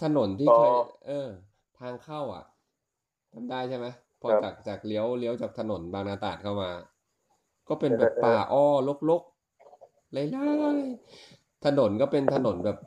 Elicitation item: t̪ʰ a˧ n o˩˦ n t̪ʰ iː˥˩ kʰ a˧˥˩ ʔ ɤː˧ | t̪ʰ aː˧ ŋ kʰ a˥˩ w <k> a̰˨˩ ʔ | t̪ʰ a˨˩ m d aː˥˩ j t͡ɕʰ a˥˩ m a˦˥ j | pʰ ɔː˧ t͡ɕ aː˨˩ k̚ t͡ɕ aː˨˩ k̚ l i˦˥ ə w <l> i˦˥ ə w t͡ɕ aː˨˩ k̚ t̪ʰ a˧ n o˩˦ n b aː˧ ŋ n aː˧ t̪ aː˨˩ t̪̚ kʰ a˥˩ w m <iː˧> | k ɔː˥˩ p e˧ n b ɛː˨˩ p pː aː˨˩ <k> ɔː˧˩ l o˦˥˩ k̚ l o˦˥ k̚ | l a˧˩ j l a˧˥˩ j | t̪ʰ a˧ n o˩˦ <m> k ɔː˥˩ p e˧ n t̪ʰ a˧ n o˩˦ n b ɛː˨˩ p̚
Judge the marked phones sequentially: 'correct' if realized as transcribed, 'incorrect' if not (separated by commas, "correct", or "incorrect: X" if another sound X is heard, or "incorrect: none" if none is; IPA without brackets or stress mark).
incorrect: ʔ, correct, incorrect: aː˧, incorrect: ʔ, incorrect: n